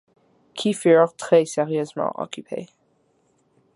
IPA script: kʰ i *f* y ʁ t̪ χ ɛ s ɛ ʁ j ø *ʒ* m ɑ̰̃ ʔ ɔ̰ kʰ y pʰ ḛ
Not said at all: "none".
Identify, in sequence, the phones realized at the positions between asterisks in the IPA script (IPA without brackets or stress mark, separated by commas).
f, z